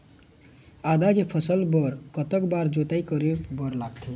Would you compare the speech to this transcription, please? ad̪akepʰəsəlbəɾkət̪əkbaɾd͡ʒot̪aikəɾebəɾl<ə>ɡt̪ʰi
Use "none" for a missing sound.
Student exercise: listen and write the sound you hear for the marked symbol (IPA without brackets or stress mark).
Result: a